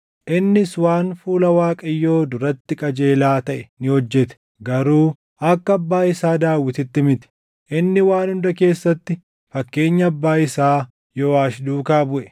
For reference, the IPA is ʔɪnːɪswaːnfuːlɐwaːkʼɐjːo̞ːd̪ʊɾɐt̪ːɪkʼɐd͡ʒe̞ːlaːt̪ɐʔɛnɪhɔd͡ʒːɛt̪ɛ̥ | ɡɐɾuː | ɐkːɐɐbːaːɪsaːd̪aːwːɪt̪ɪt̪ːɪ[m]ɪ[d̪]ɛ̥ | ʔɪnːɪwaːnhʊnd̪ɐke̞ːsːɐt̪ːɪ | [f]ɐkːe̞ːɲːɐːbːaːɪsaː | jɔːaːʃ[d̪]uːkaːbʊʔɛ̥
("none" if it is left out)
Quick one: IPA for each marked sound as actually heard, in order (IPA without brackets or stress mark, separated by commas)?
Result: m, t̪, f, d̪